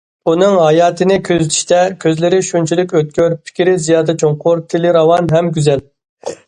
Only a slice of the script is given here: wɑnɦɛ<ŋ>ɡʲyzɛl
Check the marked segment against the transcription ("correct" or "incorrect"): incorrect